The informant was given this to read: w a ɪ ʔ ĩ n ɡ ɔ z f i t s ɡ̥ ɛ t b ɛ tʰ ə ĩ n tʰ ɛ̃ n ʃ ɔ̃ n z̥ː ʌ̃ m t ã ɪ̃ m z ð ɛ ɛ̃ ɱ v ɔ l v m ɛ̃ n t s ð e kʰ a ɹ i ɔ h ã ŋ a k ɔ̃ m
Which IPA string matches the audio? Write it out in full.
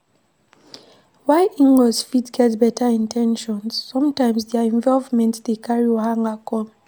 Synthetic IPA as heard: w a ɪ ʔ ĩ ŋ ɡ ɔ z f i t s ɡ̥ ɛ t b ɛ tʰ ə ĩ n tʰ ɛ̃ n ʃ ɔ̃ n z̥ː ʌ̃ m t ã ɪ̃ m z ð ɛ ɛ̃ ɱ v ɔ l v m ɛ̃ n t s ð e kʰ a ɹ i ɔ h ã ŋ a k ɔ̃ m

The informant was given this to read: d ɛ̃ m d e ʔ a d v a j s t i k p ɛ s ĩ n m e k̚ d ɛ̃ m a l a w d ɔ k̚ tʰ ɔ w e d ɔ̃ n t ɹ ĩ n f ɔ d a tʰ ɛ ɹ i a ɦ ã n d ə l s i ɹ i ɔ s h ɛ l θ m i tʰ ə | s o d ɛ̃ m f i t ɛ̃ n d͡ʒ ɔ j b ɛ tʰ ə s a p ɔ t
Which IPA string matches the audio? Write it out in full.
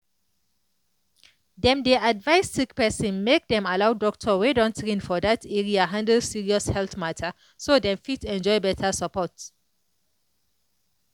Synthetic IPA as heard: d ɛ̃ m d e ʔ a d v a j s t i k p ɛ s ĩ n m e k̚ d ɛ̃ m a l a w d ɔ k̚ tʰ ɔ w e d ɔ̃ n t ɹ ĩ n f ɔ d a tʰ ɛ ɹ i a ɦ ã n d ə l s i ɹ i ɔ s h ɛ l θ m a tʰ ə | s o d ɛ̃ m f i t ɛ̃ n d͡ʒ ɔ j b ɛ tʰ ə s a p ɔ t

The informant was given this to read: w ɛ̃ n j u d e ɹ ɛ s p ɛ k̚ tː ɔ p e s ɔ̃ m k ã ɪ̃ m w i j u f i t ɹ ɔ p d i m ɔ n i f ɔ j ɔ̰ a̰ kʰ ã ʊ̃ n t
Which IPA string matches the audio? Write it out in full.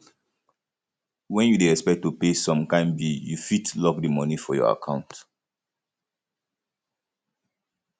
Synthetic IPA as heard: w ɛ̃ n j u d e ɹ ɛ s p ɛ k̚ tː u p e s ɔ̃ m k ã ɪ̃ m b i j u f i t l ɔ k d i m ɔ n i f ɔ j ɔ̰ a̰ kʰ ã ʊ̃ n t

